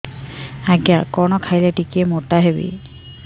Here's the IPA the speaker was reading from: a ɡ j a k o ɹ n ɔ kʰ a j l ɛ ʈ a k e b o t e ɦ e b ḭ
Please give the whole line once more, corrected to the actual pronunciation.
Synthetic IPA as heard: a ɡ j a k ɔ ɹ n ɔ kʰ a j l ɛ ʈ i k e m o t a ɦ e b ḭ